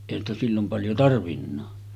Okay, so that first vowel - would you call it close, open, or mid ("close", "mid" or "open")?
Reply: mid